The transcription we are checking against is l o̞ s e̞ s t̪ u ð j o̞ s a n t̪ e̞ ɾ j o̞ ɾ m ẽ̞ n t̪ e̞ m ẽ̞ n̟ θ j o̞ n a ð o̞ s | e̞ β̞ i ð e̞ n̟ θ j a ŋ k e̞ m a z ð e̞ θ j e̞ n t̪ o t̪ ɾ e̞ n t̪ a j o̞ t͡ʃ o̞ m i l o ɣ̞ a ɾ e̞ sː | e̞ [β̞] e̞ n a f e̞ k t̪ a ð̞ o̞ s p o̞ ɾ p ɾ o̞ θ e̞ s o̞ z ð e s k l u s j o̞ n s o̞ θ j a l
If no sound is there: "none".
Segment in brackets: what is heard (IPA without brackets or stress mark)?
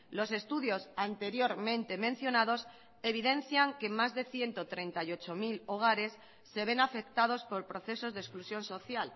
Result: β̞